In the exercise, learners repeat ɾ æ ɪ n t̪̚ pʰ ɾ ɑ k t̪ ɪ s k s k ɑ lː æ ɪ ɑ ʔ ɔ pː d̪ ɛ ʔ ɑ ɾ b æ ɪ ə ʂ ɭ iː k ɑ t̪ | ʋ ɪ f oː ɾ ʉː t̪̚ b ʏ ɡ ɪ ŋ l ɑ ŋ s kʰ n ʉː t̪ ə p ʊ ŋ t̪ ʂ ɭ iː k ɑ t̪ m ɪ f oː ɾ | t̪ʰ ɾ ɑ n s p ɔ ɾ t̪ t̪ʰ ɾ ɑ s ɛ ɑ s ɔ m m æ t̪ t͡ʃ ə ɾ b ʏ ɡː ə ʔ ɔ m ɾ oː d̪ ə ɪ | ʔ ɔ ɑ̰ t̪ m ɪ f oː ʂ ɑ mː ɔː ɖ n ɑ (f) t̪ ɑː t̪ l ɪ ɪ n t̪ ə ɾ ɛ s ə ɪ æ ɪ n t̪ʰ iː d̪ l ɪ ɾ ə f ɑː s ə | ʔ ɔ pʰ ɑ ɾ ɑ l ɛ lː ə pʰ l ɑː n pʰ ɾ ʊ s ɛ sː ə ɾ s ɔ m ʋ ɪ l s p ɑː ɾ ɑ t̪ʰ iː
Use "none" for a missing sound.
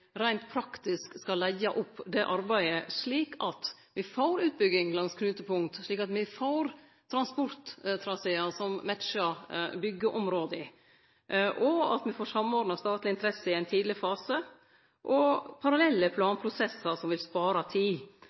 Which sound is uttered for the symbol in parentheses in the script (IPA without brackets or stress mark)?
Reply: s